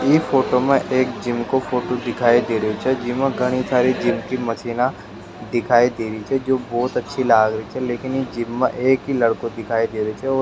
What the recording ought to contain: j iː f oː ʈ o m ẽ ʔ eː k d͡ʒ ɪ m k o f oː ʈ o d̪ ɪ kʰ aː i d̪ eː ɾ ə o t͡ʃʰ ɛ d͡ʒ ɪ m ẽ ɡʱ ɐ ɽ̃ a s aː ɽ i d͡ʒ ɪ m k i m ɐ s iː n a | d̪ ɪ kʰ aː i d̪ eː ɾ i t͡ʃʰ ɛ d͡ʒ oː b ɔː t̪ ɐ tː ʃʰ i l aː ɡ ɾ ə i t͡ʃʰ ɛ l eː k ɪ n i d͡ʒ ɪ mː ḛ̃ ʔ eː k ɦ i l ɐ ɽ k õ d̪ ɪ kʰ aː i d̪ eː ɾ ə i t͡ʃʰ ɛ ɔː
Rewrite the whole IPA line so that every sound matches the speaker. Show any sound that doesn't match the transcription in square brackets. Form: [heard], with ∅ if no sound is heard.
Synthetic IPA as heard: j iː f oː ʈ o m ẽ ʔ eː k d͡ʒ ɪ m k o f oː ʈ o d̪ ɪ kʰ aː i d̪ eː ɾ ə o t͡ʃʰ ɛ d͡ʒ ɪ m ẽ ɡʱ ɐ ɽ̃ [i] s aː [ɾ] i d͡ʒ ɪ m k i m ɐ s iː n a | d̪ ɪ kʰ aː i d̪ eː ɾ i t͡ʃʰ ɛ d͡ʒ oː b ɔː t̪ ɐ tː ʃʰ i l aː ɡ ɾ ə i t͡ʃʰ ɛ l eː k ɪ n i d͡ʒ ɪ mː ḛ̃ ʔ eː k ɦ i l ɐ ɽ k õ d̪ ɪ kʰ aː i d̪ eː ɾ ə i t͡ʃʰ ɛ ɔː